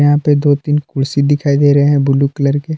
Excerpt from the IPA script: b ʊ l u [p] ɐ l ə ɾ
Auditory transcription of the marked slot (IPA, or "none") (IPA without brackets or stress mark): k